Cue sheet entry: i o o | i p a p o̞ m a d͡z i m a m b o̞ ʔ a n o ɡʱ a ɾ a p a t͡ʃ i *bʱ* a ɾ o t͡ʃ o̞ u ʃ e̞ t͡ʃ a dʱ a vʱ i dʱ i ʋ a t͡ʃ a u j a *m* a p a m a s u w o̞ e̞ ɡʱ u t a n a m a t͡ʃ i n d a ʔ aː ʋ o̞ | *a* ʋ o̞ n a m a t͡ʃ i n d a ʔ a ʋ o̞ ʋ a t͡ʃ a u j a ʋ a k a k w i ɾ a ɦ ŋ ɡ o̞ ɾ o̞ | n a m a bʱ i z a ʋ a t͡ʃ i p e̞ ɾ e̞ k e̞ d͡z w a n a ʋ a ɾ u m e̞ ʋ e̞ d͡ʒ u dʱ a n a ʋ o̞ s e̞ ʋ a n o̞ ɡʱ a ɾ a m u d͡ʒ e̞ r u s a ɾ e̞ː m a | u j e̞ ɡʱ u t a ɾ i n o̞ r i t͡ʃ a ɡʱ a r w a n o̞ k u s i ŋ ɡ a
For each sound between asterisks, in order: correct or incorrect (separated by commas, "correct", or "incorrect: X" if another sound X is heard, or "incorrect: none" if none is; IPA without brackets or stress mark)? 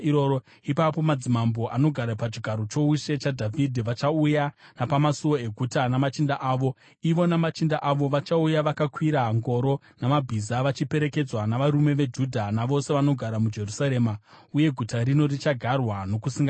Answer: incorrect: ɡʱ, incorrect: n, incorrect: i